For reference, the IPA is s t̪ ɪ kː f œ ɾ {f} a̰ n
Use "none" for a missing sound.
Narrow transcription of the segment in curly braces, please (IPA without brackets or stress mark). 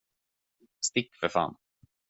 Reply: f